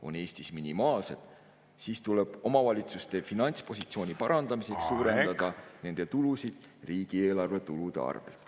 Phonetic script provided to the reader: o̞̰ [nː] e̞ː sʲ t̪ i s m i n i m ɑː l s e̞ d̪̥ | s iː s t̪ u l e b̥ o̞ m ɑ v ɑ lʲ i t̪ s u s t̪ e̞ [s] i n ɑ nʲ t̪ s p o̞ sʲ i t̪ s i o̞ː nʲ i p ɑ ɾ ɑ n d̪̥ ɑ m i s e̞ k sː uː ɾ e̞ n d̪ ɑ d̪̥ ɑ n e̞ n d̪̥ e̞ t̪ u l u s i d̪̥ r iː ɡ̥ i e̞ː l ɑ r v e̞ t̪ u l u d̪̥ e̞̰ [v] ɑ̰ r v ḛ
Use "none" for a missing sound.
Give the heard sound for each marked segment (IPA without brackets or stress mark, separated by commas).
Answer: n, f, none